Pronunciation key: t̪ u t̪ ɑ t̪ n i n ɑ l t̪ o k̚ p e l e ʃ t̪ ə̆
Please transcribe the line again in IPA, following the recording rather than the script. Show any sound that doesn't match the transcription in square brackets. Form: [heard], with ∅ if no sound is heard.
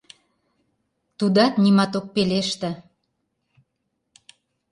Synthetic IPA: t̪ u [d̪] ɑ t̪ n i [m] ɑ [∅] t̪ o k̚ p e l e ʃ t̪ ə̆